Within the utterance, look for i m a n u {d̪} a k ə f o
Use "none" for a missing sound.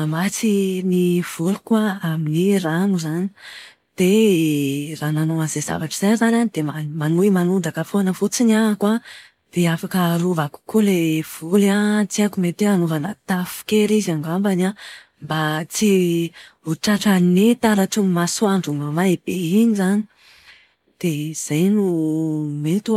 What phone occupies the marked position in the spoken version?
d̪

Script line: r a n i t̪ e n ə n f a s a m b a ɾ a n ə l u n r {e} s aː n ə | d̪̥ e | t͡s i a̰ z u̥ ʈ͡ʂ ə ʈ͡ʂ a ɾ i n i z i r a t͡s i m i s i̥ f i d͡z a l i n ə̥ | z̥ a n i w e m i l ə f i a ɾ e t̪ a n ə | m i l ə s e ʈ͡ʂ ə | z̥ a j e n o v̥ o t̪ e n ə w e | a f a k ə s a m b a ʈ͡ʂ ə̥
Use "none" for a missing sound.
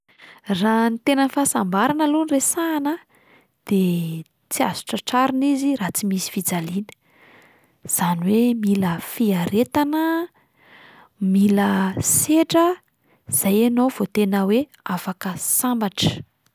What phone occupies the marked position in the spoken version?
e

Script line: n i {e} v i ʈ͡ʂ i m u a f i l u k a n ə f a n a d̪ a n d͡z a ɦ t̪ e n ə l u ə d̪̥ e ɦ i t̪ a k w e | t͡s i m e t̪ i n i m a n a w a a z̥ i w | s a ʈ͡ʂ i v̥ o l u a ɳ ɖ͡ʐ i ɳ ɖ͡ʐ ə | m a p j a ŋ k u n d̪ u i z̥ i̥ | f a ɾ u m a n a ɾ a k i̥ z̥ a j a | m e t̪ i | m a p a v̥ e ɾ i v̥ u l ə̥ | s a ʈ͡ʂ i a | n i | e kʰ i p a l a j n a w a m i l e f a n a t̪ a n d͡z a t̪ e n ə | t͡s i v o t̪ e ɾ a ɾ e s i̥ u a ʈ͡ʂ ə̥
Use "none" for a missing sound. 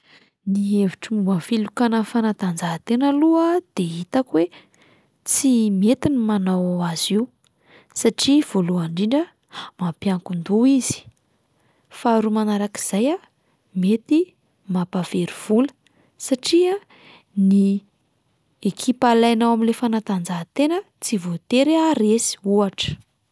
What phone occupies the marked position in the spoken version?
e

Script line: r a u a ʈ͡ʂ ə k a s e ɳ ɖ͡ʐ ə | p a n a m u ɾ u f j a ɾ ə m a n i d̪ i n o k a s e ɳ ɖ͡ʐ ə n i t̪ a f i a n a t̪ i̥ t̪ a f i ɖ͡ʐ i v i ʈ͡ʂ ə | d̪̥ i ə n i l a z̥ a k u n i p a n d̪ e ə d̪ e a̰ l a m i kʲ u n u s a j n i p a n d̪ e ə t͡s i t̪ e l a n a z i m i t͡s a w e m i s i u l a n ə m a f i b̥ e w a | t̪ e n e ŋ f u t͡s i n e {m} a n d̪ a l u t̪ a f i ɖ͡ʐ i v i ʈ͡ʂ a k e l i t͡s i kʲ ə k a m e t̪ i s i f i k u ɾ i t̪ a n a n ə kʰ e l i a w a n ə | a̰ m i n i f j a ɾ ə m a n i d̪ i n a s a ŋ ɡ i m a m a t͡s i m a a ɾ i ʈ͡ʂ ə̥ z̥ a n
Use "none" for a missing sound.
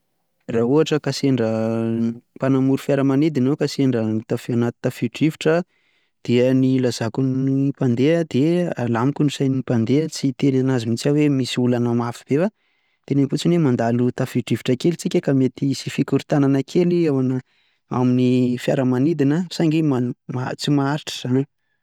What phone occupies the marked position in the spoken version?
m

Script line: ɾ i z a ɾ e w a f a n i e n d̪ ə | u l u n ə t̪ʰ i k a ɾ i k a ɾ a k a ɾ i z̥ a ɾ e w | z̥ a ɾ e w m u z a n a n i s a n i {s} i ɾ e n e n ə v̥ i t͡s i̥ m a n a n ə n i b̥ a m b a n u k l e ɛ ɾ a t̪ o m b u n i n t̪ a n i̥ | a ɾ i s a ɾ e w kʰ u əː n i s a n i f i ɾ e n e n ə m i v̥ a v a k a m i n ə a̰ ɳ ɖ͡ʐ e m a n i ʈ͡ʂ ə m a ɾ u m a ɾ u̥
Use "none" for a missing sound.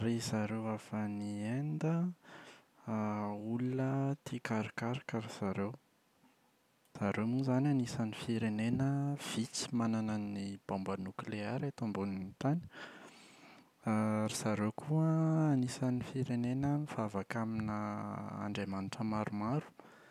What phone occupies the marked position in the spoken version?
f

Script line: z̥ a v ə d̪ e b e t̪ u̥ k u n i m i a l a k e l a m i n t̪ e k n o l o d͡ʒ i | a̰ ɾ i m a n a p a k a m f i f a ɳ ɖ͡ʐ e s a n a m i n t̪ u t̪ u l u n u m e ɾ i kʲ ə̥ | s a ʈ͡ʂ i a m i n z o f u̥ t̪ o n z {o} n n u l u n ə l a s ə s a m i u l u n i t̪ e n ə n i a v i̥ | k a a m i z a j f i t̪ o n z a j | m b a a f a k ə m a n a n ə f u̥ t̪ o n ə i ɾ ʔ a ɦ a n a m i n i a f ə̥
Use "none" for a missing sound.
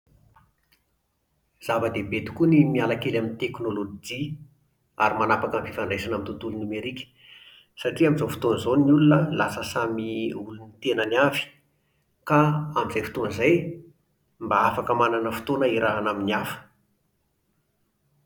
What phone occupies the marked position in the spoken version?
o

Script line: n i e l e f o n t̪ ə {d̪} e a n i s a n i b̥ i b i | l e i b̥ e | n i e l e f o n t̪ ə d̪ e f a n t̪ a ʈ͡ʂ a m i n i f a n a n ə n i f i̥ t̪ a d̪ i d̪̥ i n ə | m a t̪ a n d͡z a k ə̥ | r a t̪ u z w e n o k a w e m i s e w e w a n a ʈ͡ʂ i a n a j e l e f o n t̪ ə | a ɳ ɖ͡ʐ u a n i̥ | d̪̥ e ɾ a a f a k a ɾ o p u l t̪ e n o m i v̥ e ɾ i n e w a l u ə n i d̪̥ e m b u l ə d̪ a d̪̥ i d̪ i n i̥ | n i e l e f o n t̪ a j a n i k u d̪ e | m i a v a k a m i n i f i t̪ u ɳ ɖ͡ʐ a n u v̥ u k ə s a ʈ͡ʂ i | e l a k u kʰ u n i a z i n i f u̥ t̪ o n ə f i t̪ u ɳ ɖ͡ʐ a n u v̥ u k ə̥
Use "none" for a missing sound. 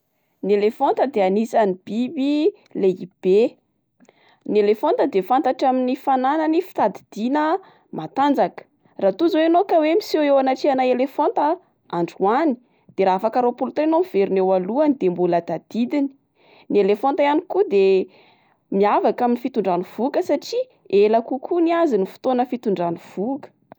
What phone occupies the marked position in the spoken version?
d̪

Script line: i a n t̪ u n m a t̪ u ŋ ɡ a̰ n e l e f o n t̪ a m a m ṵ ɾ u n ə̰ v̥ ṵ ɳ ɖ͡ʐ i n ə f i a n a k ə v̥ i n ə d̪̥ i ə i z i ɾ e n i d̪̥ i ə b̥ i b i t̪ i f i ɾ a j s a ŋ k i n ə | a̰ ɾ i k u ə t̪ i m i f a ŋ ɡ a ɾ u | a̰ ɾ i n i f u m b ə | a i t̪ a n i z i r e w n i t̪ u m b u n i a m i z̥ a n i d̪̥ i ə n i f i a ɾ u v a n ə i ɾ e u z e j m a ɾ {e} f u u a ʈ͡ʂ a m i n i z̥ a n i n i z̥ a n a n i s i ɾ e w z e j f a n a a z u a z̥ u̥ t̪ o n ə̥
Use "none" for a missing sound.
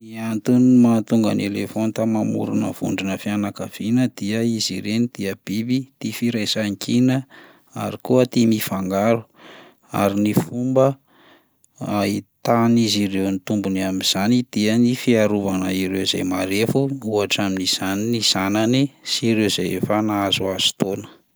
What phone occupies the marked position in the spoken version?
e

